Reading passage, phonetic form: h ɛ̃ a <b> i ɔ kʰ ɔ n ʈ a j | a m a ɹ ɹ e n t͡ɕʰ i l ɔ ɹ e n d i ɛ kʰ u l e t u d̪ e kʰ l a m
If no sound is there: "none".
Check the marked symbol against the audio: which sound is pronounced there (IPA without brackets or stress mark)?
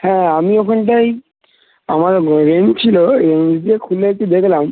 m